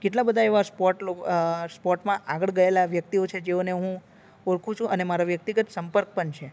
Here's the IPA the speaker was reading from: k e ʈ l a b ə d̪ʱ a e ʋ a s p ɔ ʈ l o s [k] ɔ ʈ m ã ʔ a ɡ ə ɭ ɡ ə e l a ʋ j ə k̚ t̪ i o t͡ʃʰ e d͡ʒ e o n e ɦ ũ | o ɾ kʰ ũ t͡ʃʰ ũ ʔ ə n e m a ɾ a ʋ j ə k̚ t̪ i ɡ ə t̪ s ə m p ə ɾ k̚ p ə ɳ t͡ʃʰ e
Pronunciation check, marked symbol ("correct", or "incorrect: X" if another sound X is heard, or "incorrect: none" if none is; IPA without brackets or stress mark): incorrect: p